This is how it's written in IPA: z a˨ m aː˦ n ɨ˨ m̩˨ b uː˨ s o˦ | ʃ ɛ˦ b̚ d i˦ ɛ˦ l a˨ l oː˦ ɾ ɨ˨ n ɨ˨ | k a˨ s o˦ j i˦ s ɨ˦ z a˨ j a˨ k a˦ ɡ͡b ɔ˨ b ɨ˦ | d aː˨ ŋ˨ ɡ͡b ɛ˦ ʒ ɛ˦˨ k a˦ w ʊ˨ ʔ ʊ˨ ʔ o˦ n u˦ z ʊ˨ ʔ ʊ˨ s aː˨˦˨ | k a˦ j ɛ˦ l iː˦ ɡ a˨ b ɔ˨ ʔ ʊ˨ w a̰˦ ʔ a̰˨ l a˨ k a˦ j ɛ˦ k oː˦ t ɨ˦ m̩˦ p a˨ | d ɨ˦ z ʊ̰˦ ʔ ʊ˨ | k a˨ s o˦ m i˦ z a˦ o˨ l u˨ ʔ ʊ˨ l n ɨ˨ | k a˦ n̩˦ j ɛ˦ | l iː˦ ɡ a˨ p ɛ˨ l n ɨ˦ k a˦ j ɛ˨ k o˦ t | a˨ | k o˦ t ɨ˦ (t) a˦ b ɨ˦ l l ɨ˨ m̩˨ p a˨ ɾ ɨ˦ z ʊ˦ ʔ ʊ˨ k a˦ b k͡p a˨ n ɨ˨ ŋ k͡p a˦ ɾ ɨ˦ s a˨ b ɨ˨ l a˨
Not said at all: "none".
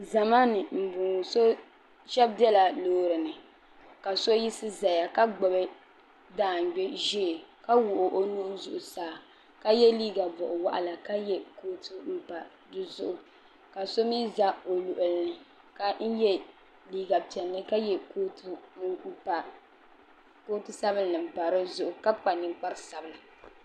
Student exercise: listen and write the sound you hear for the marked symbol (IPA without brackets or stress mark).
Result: s